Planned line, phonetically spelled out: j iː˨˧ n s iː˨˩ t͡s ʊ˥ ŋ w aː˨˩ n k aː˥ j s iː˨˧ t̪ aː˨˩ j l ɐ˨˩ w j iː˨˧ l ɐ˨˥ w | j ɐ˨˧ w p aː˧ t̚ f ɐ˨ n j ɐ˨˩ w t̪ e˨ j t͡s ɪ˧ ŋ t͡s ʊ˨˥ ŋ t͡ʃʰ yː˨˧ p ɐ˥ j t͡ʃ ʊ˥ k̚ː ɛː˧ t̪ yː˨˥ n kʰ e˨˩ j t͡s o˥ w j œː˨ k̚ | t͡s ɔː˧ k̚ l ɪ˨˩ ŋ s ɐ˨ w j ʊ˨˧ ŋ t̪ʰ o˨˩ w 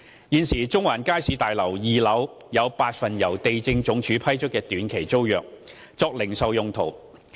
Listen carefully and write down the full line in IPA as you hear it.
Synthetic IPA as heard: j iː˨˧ n s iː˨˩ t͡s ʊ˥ ŋ w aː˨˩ n k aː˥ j s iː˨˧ t̪ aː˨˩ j l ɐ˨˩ w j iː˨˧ l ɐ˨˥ w | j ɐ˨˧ w p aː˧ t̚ f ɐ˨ n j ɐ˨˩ w t̪ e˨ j t͡s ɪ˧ ŋ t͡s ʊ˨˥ ŋ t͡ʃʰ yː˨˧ pʰ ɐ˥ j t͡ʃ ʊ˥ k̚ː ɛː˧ t̪ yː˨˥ n kʰ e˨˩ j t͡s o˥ w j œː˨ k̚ | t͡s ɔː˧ k̚ l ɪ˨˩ ŋ s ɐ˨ w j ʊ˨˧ ŋ t̪ʰ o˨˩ w